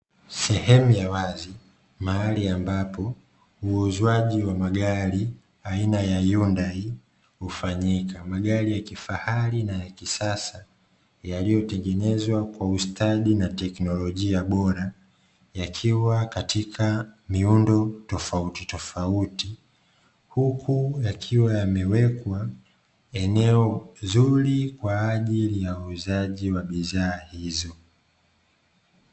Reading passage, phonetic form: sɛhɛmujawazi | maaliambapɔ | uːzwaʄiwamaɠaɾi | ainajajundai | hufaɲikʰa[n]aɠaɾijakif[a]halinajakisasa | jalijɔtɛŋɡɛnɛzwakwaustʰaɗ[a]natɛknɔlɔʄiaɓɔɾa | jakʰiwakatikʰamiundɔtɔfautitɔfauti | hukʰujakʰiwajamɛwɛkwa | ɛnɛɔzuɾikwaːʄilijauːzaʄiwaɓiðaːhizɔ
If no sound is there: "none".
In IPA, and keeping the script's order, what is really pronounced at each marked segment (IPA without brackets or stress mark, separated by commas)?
m, a, i